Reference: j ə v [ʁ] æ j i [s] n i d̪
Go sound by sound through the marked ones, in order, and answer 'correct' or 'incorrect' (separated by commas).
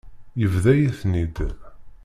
incorrect, incorrect